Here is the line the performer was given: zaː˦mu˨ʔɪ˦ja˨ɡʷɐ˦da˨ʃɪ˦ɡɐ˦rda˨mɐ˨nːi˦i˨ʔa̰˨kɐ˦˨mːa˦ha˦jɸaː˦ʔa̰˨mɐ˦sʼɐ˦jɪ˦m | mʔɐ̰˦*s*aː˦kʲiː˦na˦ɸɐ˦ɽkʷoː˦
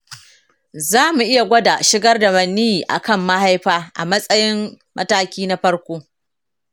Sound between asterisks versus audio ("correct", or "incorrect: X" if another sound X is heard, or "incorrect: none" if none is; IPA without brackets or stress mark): incorrect: t